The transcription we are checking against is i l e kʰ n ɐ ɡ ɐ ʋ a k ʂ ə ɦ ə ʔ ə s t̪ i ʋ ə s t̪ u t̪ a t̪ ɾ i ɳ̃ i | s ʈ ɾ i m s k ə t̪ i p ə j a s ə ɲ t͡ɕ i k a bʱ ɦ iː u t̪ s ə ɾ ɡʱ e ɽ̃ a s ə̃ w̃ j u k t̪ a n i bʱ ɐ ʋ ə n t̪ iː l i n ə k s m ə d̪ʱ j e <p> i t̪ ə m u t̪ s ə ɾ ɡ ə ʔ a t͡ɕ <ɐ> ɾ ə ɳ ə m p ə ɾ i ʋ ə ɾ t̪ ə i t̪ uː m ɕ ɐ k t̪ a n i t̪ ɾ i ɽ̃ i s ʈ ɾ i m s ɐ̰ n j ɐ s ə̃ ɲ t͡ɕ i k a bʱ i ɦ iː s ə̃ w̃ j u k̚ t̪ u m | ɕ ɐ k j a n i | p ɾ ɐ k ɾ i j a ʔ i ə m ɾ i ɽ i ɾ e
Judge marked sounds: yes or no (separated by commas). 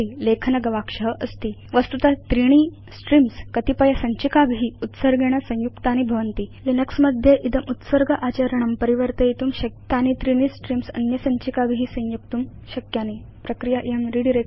no, no